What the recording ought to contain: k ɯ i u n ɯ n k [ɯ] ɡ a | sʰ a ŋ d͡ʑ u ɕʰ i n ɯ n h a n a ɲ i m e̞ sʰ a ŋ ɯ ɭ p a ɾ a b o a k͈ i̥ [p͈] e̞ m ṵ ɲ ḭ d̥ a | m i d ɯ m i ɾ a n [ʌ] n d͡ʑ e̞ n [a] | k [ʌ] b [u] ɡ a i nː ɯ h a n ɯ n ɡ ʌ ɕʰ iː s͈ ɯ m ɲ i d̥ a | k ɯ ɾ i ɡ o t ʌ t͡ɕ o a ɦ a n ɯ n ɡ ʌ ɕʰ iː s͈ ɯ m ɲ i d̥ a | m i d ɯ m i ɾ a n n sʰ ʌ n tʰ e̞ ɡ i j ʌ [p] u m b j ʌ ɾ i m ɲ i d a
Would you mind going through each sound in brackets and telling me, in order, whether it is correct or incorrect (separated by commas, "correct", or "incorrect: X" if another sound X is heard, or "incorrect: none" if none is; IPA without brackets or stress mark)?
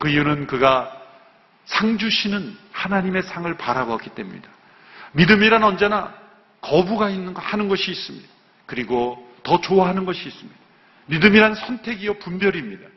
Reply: correct, incorrect: t͈, correct, correct, correct, correct, correct